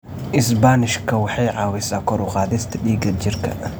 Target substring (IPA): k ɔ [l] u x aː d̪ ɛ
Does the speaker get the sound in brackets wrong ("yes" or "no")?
yes